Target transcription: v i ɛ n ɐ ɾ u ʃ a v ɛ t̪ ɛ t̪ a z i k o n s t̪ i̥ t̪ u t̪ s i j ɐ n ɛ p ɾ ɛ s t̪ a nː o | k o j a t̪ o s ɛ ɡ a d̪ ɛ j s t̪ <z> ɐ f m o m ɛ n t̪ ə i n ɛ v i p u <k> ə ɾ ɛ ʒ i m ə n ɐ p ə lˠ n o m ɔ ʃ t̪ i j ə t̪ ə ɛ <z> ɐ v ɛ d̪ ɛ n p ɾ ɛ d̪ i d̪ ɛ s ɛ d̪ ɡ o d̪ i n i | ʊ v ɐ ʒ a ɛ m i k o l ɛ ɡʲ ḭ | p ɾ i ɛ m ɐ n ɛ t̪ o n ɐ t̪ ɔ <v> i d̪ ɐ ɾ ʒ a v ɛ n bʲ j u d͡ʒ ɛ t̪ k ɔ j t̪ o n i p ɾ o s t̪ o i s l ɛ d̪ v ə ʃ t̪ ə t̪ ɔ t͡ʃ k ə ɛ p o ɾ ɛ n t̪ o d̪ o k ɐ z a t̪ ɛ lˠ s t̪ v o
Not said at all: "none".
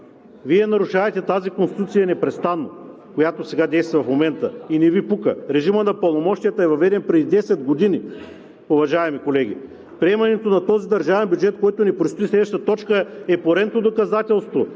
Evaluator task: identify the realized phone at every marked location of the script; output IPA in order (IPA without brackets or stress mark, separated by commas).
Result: v, k, v, z